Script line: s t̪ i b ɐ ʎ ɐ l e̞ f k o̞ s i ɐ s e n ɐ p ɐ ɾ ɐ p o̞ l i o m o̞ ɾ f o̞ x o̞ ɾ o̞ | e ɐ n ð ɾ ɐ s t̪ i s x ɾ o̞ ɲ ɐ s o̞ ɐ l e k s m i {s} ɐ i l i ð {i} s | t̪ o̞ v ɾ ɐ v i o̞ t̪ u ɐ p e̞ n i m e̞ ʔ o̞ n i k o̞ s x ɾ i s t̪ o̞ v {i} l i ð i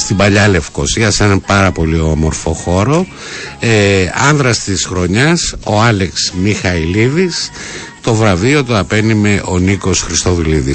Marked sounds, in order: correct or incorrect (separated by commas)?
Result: incorrect, correct, correct